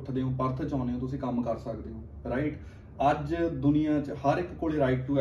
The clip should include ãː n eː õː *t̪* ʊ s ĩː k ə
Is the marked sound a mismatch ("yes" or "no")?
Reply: no